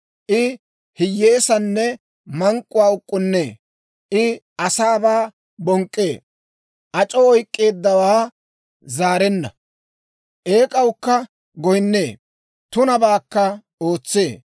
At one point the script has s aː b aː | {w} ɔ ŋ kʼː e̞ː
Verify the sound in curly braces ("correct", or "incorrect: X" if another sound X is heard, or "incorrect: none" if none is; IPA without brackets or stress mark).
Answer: incorrect: b